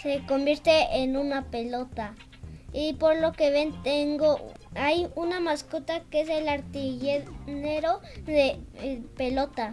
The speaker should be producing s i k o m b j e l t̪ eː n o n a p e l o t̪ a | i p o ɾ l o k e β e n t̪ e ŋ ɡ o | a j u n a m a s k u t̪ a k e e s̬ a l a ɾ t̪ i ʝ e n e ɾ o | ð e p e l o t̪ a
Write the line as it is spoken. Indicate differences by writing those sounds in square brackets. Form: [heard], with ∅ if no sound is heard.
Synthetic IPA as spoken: s [e] k o m b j e [ɾ] t̪ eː n [u] n a p e l o t̪ a | i p o ɾ l o k e β e n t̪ e ŋ ɡ o | a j u n a m a s k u t̪ a k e e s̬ [e] l a ɾ t̪ i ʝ e n e ɾ o | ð e p e l o t̪ a